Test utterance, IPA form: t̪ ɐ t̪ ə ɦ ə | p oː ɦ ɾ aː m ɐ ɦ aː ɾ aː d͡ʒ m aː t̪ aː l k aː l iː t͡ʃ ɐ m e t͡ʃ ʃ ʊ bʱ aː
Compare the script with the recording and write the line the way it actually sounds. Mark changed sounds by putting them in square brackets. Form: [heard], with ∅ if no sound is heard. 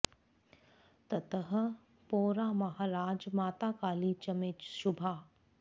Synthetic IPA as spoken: t̪ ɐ t̪ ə ɦ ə | p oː [∅] ɾ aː m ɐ ɦ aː ɾ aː d͡ʒ m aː t̪ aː [∅] k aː l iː t͡ʃ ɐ m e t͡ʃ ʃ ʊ bʱ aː